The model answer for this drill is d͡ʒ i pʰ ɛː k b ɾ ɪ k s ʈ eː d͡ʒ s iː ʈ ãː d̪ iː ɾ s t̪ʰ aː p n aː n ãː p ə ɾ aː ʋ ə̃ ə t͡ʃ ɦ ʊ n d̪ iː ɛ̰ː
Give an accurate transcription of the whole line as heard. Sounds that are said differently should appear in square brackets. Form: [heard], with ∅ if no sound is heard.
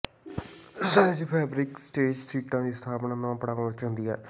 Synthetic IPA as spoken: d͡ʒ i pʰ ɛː [∅] b ɾ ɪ k s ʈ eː d͡ʒ s iː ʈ ãː d̪ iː [∅] s t̪ʰ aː p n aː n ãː p ə [ɽ] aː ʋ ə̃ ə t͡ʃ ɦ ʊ n d̪ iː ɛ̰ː